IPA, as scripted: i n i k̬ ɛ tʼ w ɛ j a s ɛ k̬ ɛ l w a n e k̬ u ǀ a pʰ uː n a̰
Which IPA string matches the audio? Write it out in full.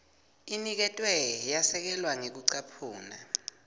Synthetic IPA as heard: i n i k̬ ɛ tʼ w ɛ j a s ɛ k̬ ɛ l w a ŋ e k̬ u ǀ a pʰ uː n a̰